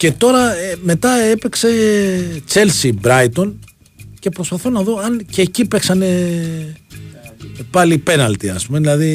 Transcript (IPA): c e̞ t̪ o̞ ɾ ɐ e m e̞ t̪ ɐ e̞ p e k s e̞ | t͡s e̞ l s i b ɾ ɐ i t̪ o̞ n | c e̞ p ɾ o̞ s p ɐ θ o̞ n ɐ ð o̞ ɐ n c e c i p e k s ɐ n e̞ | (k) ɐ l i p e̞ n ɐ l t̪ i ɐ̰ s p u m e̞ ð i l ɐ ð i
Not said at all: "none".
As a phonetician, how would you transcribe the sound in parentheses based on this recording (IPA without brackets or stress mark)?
p